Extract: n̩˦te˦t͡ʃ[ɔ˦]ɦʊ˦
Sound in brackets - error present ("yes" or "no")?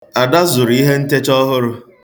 no